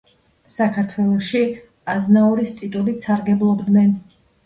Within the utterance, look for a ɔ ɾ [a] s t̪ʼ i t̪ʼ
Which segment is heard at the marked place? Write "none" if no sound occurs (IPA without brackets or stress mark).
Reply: i